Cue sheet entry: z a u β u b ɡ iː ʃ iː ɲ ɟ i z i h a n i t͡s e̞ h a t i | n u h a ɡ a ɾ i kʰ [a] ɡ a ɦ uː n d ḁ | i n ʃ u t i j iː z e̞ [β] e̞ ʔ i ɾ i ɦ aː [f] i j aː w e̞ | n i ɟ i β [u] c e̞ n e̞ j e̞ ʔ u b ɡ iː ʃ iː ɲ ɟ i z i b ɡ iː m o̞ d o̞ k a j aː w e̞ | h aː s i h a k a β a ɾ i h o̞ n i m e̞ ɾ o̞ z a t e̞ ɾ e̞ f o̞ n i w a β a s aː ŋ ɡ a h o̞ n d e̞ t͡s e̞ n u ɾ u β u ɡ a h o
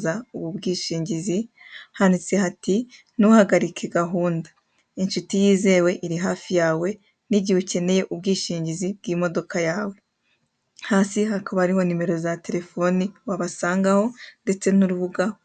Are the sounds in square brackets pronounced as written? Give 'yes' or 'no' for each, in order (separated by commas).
no, no, yes, yes